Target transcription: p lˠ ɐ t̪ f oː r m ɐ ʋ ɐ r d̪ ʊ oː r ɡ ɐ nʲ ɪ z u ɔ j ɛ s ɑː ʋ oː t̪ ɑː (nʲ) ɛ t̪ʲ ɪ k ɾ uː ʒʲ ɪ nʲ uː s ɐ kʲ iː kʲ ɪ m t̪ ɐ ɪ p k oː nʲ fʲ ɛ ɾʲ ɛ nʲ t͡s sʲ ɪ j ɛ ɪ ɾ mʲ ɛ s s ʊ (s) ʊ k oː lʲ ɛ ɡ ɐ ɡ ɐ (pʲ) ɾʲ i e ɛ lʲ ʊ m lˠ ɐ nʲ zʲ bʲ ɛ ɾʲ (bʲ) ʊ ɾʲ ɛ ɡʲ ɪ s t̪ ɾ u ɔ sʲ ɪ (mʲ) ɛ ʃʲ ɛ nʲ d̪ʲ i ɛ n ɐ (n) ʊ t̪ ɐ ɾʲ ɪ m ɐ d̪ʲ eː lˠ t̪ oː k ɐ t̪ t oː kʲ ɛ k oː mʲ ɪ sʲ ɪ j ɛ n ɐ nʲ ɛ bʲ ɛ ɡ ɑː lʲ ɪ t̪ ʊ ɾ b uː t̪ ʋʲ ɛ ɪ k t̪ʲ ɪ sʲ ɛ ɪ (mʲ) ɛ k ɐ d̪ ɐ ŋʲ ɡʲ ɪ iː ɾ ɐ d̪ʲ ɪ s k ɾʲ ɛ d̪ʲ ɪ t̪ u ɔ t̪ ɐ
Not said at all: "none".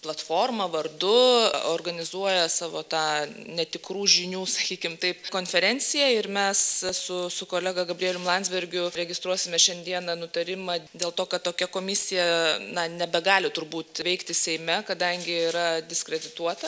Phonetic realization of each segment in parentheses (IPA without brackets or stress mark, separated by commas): nʲ, s, bʲ, ɡʲ, mʲ, n, mʲ